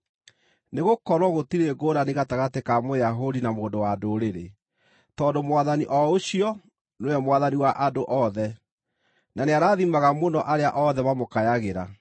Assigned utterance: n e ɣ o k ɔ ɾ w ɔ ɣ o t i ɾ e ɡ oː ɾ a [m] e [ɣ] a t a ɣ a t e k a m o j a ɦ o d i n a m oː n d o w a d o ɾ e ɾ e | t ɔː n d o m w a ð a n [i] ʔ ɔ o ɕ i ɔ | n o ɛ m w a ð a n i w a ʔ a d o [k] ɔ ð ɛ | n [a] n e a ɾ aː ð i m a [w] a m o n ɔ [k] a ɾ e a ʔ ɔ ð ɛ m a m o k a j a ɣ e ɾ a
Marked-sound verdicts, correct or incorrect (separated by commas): incorrect, correct, correct, incorrect, correct, incorrect, incorrect